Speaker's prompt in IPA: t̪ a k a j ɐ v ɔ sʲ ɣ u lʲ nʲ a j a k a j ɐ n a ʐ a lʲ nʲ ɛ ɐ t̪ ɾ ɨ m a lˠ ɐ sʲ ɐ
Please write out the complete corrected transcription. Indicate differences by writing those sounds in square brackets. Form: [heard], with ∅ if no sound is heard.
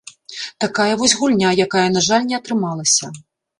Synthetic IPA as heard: t̪ a k a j ɐ v ɔ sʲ ɣ u lʲ nʲ a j a k a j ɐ n a ʐ a lʲ nʲ ɛ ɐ t̪ ɾ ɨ m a lˠ ɐ sʲ ɐ